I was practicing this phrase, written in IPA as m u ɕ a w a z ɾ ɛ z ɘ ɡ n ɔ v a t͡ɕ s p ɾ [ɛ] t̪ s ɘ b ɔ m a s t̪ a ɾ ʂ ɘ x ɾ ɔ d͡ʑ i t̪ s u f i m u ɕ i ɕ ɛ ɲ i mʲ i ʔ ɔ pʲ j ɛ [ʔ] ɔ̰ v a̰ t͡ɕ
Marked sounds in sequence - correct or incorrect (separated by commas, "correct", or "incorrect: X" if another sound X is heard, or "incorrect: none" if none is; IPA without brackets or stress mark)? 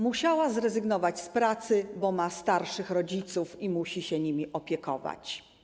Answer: incorrect: a, incorrect: k